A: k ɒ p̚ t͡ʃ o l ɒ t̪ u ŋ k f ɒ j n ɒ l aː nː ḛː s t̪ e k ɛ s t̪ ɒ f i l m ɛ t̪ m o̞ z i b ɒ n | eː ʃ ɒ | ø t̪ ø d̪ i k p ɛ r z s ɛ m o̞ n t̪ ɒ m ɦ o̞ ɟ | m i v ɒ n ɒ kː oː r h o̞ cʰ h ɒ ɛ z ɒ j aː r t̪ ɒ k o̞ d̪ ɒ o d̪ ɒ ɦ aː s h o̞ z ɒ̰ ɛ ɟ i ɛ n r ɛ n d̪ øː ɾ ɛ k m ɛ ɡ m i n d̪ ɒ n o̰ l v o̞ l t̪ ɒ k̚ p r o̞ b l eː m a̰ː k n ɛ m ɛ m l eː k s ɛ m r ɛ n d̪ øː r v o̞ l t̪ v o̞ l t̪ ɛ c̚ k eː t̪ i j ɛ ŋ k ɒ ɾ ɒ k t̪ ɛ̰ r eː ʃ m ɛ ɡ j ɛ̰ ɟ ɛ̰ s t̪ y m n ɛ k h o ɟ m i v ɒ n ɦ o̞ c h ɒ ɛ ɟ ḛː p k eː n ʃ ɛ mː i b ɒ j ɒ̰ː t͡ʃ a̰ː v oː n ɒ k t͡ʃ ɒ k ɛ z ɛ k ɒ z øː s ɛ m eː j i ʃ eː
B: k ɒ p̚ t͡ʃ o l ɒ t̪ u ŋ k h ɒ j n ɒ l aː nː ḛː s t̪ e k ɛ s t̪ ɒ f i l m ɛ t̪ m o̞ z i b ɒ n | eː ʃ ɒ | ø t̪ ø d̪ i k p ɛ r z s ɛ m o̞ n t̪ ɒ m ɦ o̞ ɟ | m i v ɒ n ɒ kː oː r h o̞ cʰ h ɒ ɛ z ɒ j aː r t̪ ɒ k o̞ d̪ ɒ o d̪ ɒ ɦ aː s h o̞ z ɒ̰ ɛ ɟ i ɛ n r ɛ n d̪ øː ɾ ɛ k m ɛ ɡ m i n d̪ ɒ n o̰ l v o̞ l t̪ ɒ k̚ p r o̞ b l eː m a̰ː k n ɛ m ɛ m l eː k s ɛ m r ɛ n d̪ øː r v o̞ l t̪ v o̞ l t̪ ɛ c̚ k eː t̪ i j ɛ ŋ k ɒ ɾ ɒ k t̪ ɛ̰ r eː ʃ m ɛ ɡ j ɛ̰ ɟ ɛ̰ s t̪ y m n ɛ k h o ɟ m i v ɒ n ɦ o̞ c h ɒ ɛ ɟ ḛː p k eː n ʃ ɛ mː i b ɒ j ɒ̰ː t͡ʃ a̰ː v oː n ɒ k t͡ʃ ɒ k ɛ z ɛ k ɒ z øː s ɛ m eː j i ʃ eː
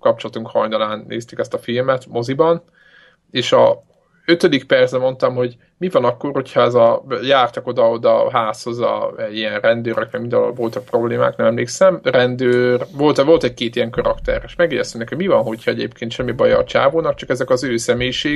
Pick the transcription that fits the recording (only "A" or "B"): B